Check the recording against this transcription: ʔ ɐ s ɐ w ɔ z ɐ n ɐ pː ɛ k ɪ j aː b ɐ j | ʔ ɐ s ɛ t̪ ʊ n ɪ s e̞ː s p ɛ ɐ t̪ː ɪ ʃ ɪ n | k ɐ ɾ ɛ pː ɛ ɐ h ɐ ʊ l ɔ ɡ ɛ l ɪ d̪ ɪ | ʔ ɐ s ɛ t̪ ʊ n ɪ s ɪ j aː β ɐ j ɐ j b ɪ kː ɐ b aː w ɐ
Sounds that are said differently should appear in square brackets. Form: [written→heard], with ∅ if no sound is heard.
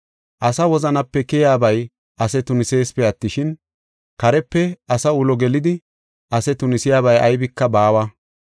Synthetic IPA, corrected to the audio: ʔ ɐ s ɐ w ɔ z ɐ n ɐ pː ɛ k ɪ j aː b ɐ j | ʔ ɐ s ɛ t̪ ʊ n ɪ s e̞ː s p ɛ ɐ t̪ː ɪ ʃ ɪ n | k ɐ ɾ ɛ pː ɛ ɐ [h→s] ɐ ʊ l ɔ ɡ ɛ l ɪ d̪ ɪ | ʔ ɐ s ɛ t̪ ʊ n ɪ s ɪ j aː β ɐ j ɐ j b ɪ kː ɐ b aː w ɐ